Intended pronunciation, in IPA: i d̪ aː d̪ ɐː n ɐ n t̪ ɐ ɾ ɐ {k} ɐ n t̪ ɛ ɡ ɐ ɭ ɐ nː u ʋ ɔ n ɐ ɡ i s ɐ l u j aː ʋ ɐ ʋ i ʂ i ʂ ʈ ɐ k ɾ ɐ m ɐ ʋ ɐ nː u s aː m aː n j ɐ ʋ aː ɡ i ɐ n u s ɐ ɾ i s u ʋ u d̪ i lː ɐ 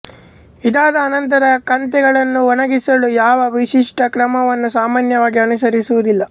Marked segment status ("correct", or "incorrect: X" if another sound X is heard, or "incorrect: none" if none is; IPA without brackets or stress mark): correct